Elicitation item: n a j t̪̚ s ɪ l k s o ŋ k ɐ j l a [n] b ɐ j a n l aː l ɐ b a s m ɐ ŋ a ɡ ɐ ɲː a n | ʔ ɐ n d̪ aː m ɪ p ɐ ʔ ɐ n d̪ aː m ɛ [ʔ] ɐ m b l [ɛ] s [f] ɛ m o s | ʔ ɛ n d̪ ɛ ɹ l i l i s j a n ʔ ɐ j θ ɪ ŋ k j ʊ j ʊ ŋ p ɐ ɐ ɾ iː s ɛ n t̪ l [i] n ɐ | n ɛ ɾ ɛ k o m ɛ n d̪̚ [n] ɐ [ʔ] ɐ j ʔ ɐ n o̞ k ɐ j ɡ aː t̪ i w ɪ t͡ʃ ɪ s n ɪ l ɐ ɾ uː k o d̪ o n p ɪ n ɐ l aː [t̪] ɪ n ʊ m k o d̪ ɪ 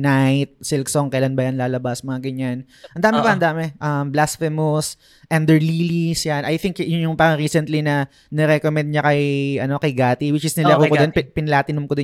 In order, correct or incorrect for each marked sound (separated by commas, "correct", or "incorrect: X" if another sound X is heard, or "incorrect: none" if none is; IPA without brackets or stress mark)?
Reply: correct, correct, incorrect: a, correct, correct, incorrect: ɲ, incorrect: k, correct